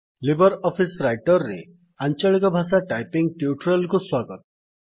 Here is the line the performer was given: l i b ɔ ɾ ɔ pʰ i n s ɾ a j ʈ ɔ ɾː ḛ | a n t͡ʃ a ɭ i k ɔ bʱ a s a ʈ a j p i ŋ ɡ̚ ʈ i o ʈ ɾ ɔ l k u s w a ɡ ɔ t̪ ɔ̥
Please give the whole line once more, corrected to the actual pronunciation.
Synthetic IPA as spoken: l i b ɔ ɾ ɔ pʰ i s ɾ a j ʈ ɔ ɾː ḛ | a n t͡ʃ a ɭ i k ɔ bʱ a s a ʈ a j p i ŋ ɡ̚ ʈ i u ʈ ɾ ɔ l k u s w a ɡ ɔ t̪ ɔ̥